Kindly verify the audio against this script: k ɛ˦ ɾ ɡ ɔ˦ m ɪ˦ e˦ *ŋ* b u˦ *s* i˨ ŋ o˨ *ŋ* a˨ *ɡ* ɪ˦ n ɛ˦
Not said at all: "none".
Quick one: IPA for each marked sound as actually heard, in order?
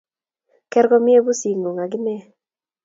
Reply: none, s, ŋ, ɡ

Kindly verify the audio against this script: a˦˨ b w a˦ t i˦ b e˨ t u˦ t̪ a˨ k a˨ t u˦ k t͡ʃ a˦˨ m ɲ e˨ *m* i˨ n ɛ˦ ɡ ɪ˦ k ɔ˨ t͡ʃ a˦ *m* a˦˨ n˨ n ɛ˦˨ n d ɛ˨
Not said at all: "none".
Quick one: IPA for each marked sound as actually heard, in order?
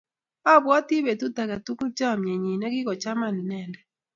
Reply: ɲ, m

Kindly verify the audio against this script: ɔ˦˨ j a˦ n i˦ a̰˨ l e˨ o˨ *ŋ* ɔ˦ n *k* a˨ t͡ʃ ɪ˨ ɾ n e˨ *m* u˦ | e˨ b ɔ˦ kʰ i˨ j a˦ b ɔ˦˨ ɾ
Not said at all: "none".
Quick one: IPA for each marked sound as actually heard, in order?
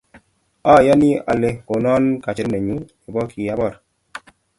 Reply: n, k, ɲ

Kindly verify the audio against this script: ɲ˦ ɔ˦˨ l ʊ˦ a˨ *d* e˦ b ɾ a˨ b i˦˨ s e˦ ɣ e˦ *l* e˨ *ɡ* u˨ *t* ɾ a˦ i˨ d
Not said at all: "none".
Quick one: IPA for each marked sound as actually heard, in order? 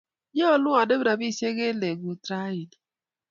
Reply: d, l, ɡ, t

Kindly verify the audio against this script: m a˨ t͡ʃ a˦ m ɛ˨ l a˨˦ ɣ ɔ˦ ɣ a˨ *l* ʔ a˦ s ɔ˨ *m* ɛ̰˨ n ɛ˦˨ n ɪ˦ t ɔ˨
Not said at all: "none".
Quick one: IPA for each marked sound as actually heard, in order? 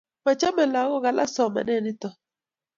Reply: l, m

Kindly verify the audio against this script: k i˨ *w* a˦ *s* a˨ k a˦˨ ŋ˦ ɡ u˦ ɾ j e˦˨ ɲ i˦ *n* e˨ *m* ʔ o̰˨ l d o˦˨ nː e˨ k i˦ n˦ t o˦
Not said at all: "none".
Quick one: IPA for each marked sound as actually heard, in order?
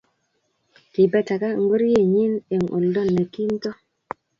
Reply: b, t, n, ŋ

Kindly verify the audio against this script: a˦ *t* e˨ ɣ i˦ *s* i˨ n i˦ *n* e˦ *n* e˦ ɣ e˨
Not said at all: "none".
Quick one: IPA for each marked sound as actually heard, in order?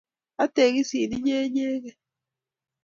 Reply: t, s, ɲ, ɲ

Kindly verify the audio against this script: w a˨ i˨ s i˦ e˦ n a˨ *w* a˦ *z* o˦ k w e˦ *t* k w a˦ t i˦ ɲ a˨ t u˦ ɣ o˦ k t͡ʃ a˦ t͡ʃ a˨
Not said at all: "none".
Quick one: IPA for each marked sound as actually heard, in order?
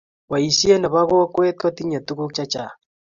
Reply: β, ɣ, t

